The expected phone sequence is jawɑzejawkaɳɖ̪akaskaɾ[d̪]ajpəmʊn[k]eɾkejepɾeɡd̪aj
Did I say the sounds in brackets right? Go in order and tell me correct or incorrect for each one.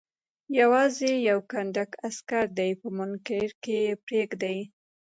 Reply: correct, correct

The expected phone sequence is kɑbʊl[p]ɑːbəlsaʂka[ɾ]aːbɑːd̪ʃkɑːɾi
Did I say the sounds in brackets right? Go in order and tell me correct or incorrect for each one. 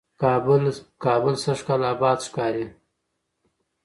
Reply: incorrect, incorrect

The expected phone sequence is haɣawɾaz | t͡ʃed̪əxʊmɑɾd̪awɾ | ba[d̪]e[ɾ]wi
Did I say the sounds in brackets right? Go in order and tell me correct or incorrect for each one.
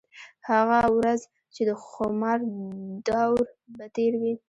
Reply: incorrect, correct

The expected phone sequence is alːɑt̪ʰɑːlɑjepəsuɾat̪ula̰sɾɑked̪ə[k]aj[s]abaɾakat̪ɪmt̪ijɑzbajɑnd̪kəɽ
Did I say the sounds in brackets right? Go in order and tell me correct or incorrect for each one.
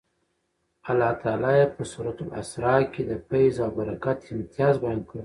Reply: incorrect, incorrect

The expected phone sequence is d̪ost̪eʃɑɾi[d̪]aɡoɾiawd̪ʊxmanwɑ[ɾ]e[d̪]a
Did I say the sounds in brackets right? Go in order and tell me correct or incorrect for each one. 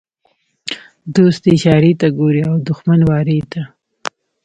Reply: incorrect, correct, incorrect

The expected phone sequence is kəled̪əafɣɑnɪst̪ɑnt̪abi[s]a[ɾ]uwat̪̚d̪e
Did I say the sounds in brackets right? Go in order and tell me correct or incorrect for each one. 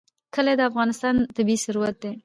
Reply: correct, correct

